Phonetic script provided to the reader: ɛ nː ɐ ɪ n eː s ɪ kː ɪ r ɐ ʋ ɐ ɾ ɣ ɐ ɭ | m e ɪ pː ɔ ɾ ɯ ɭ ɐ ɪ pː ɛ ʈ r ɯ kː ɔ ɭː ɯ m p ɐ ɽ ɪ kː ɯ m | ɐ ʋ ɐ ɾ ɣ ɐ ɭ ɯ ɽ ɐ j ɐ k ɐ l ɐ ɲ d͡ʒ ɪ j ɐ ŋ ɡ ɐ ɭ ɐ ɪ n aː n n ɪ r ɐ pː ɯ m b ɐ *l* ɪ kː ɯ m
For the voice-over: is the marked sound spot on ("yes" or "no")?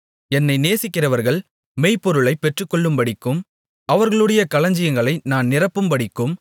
no